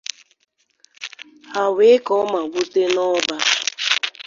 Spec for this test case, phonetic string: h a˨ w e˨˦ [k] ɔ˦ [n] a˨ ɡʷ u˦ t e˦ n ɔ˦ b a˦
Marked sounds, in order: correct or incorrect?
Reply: correct, incorrect: m

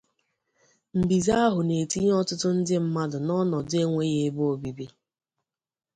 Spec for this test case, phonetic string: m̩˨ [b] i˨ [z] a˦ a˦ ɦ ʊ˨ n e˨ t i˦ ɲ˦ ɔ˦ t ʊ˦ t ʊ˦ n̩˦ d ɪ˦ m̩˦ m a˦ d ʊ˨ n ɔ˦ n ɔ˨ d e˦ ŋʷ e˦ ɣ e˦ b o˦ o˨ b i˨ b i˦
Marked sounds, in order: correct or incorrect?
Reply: correct, correct

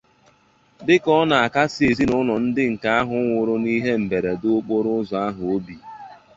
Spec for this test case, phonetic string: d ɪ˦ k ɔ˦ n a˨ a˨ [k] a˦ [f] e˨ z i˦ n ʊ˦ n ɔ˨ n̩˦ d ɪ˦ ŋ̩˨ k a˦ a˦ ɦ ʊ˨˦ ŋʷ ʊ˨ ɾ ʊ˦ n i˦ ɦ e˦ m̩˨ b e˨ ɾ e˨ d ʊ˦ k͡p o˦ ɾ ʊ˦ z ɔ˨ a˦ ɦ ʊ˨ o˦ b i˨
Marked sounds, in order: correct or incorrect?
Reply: correct, incorrect: s

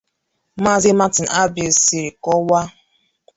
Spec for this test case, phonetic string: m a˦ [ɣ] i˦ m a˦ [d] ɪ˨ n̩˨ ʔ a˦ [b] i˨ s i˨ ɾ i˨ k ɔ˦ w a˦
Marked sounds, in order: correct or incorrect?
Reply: incorrect: z, incorrect: t, correct

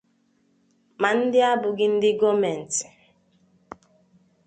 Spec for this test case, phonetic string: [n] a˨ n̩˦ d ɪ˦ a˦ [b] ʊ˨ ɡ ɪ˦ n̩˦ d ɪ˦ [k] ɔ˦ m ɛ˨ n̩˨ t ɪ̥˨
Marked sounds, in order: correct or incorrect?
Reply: incorrect: m, correct, incorrect: ɡ

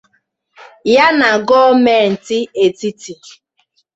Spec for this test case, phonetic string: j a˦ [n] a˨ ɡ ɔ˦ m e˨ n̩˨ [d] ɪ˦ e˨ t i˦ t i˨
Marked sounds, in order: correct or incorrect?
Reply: correct, incorrect: t

